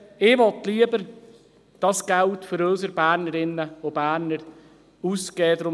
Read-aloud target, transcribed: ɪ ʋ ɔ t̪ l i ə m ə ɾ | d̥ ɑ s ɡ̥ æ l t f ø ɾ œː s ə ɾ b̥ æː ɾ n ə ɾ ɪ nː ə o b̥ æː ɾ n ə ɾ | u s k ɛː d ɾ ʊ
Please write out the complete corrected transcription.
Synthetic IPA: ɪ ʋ ɔ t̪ l i ə b ə ɾ | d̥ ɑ s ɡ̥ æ l t f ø ɾ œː s ə ɾ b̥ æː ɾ n ə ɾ ɪ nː ə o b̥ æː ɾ n ə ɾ | u s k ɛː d ɾ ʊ